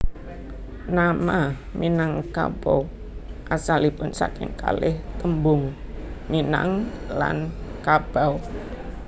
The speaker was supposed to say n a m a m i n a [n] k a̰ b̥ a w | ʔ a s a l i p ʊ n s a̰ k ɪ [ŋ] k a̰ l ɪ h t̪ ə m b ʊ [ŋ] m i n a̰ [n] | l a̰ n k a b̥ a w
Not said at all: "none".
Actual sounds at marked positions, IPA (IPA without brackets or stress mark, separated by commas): ŋ, ŋ, ŋ, ŋ